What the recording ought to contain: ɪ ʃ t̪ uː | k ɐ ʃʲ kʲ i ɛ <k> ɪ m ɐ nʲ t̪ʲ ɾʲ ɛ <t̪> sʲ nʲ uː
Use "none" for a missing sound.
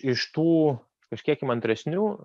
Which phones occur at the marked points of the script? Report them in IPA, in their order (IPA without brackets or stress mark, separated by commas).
k, none